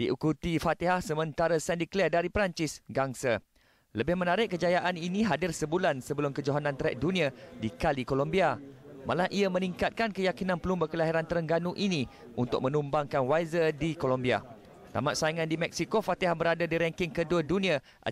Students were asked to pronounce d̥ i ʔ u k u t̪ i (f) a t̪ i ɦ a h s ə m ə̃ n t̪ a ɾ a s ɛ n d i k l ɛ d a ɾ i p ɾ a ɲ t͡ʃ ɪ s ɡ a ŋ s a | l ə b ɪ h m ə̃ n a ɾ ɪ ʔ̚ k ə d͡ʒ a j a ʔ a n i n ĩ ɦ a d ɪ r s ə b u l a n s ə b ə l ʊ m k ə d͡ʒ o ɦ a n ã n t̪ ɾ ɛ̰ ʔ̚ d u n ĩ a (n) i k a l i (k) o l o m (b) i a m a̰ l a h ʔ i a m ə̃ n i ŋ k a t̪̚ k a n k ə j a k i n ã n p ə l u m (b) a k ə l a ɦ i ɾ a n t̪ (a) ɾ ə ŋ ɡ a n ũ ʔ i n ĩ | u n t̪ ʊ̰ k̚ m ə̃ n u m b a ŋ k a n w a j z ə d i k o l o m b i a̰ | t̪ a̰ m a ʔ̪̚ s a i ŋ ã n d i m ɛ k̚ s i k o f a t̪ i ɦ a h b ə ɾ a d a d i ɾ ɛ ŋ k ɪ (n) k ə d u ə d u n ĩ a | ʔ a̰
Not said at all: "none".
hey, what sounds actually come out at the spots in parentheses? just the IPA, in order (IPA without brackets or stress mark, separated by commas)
f, d, k, b, b, ə, ŋ